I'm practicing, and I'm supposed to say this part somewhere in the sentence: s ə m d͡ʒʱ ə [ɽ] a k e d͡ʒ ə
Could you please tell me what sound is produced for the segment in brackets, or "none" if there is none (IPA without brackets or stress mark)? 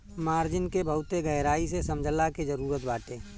l